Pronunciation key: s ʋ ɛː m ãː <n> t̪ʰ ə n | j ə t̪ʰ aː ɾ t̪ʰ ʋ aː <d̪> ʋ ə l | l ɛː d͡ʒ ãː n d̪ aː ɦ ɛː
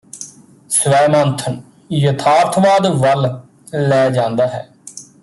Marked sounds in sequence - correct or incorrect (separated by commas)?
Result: correct, correct